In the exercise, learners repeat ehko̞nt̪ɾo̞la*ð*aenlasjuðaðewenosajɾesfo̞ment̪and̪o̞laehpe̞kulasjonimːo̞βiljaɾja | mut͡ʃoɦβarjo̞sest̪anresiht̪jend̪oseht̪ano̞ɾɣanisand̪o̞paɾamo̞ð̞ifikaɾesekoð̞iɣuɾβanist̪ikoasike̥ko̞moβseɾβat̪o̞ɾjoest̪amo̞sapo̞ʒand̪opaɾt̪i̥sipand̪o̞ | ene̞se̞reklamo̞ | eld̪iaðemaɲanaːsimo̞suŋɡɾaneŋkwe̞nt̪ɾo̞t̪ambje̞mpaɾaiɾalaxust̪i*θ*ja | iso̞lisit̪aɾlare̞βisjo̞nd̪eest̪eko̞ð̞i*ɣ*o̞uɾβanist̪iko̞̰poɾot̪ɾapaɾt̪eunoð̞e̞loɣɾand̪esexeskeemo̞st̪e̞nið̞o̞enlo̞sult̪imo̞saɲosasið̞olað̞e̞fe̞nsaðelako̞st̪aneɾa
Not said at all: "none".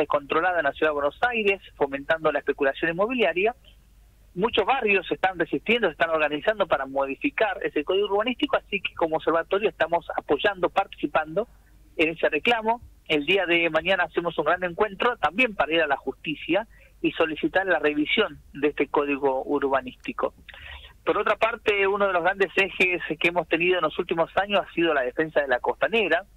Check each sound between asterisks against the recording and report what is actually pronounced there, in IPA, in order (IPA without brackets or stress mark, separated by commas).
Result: ð, s, ɣ